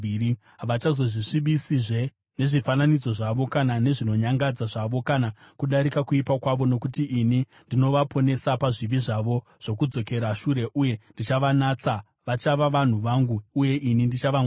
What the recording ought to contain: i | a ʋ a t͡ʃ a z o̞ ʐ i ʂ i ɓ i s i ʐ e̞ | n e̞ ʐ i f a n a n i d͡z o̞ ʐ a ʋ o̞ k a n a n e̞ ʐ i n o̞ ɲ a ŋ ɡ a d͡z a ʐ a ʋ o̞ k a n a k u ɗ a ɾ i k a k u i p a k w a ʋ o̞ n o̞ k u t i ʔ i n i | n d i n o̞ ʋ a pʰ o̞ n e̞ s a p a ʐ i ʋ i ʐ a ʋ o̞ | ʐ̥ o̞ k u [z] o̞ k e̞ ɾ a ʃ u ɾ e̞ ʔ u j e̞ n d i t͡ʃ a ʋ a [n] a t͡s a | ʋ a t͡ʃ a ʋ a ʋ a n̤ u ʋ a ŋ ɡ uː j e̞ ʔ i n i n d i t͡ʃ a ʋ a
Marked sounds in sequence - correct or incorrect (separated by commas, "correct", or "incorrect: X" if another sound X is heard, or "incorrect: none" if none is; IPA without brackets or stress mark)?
incorrect: d͡z, correct